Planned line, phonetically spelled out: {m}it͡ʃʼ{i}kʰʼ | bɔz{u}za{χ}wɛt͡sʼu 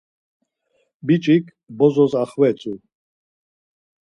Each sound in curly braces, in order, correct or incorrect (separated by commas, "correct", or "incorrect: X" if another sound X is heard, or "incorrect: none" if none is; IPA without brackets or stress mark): incorrect: b, correct, incorrect: ɔ, correct